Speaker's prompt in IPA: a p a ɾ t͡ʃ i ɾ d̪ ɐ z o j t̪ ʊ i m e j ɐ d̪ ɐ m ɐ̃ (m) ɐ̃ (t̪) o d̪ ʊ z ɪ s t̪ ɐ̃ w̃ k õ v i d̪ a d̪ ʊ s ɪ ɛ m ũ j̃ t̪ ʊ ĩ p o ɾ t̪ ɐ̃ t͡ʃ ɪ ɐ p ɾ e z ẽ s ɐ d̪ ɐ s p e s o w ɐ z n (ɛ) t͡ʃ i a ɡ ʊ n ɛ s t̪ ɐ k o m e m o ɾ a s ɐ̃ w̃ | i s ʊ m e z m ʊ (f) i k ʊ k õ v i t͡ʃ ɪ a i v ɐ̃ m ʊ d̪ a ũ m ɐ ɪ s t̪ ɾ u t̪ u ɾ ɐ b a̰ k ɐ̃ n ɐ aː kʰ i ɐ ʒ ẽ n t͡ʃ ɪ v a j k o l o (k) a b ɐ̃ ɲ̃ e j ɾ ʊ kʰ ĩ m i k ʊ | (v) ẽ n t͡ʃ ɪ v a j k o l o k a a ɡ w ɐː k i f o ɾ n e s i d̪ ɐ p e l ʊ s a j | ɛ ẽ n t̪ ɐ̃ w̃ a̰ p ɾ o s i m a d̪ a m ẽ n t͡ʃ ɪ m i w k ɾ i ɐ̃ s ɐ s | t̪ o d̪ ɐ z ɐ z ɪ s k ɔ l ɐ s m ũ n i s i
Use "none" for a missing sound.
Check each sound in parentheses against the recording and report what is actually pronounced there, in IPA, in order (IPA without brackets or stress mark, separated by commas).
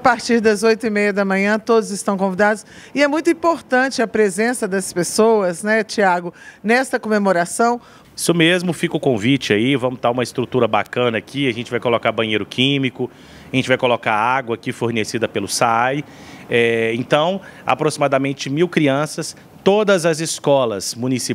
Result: ɲ, t̪, ɛ, f, k, ʒ